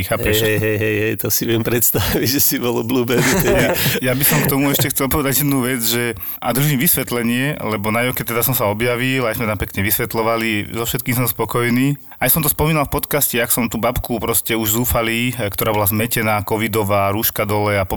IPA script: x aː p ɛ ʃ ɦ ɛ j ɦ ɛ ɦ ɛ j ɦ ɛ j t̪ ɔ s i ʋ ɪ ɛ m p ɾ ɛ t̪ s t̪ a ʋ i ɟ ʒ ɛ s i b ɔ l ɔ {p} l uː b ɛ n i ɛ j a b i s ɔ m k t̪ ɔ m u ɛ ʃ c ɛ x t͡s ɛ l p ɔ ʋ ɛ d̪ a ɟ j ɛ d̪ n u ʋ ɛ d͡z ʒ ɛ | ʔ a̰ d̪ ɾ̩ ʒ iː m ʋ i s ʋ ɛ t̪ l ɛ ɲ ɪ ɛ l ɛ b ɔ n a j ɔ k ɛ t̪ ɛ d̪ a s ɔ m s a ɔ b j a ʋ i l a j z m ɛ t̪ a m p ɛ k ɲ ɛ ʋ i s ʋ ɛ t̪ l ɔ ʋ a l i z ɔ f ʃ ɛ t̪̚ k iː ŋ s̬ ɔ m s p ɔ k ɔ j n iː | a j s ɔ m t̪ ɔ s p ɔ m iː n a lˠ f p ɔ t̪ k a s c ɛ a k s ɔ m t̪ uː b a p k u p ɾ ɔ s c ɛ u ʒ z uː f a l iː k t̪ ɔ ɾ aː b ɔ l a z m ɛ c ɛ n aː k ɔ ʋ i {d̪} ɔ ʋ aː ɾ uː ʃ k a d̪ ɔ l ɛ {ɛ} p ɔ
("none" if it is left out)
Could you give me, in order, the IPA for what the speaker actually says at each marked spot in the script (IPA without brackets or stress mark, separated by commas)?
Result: b, d̪, a